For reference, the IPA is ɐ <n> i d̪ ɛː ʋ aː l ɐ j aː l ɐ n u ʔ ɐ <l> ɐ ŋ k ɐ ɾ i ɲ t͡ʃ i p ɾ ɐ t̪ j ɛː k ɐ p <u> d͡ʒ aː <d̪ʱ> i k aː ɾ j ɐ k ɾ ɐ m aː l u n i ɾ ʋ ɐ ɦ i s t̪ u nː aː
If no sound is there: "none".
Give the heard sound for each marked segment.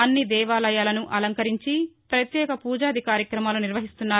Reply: nː, l, uː, d̪ʱ

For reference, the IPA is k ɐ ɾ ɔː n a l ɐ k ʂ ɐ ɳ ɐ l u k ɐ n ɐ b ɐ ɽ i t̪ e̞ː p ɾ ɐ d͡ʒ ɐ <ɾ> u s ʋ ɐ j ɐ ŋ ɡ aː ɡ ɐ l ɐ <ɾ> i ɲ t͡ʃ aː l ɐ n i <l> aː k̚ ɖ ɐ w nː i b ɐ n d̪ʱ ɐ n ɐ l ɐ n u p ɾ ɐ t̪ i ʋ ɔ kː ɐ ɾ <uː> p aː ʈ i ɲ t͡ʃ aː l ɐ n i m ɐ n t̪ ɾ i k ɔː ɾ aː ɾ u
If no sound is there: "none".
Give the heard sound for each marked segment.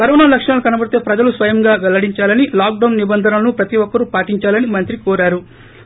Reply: l, ɽ, l, u

